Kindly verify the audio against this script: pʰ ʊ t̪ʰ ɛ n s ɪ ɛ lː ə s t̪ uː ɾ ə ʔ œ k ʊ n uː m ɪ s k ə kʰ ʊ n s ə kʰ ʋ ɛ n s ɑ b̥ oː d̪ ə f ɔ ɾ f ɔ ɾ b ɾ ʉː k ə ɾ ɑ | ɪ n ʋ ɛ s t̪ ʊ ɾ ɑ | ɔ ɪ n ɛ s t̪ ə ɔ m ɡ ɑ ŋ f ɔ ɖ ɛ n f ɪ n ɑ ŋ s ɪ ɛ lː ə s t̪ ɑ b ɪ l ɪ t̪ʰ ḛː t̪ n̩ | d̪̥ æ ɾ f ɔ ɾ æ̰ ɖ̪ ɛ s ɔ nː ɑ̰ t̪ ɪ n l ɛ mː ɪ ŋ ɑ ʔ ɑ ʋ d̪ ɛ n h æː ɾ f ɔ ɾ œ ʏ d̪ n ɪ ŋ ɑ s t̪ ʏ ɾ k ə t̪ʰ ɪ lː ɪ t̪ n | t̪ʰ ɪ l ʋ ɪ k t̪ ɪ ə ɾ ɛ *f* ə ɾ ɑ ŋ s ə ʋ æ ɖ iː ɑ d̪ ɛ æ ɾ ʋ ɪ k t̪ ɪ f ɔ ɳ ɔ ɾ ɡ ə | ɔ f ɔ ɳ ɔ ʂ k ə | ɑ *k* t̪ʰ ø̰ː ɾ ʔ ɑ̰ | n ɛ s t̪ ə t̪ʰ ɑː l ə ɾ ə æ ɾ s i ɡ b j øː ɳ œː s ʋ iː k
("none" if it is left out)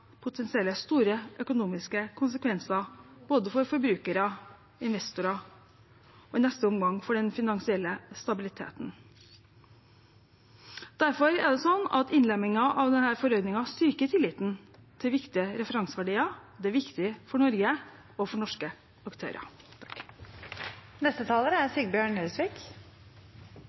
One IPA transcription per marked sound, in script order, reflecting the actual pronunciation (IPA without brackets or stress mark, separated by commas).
f, k